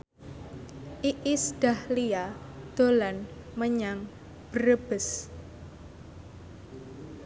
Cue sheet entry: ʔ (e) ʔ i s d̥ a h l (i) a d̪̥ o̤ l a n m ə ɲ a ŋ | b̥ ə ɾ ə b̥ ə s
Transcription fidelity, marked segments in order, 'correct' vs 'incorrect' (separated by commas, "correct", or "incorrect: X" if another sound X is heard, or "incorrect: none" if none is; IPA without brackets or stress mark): incorrect: i, correct